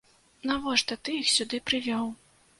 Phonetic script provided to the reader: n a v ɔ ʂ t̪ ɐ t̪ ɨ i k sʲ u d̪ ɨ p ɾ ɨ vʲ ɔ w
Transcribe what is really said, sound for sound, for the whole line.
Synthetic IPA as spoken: n a v ɔ ʂ t̪ ɐ t̪ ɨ i x sʲ u d̪ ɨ p ɾ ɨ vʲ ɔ w